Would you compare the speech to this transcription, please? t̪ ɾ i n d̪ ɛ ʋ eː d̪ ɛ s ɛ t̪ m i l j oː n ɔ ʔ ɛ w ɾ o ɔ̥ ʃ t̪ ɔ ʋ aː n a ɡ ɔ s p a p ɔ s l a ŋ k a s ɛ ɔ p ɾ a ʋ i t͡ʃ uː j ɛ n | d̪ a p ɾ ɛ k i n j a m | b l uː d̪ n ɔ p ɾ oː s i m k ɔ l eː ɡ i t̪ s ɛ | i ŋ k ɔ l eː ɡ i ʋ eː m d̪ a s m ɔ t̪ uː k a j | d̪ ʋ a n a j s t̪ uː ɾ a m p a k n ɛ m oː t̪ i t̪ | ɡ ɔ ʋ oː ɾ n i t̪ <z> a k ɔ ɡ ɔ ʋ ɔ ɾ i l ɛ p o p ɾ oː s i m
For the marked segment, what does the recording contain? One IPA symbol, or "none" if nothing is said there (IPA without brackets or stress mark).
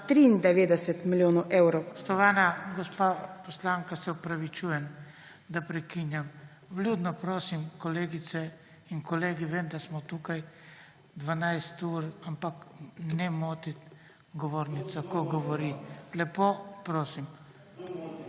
s